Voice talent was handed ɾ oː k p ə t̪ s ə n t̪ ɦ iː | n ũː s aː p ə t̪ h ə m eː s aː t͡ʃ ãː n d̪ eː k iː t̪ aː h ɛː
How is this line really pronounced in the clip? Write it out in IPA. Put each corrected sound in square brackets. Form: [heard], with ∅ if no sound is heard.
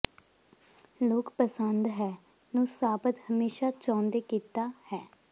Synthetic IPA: [l] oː k p ə [∅] s ə n [d̪] ɦ [ɛː] | n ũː s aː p ə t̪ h ə m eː [ʃ] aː t͡ʃ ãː n d̪ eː k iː t̪ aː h ɛː